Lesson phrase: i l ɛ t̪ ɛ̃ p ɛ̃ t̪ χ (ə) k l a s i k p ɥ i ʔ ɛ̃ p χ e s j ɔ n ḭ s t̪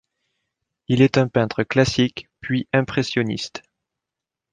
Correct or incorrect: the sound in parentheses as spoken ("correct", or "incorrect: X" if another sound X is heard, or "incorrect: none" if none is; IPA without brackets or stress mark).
correct